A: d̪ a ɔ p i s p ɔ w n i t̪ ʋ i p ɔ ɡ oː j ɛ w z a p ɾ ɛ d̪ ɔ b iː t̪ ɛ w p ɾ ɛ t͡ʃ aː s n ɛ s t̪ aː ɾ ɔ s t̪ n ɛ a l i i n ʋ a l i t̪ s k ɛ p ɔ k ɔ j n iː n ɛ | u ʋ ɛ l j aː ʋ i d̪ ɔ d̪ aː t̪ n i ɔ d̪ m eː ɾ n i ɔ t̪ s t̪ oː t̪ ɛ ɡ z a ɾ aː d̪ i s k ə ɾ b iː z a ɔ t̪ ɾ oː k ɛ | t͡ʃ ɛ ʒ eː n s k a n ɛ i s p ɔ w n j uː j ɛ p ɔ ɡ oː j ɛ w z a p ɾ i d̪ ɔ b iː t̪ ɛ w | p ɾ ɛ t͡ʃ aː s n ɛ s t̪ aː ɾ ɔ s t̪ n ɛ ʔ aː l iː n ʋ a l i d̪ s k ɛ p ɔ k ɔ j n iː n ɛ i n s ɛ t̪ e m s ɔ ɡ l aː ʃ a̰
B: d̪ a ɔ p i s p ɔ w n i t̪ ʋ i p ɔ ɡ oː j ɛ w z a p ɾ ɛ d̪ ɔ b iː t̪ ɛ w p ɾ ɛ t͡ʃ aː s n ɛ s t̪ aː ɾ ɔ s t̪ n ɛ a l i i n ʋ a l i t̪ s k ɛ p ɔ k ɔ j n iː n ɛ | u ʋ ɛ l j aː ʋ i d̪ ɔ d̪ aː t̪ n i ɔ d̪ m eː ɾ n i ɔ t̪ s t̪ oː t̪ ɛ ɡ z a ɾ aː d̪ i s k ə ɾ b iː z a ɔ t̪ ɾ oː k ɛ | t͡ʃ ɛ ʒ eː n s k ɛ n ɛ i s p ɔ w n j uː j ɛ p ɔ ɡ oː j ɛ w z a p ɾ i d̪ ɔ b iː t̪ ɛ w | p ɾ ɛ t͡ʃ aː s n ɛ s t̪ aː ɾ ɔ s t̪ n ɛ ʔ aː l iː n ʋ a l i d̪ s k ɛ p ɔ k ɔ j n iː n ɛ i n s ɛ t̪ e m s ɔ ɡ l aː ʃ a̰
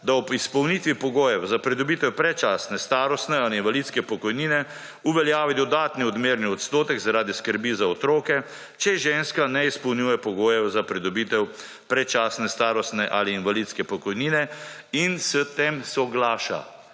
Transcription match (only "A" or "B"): A